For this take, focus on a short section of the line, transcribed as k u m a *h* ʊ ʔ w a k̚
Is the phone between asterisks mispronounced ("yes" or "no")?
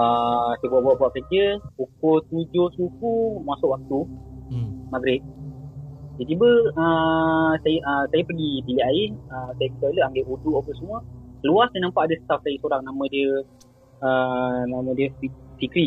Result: yes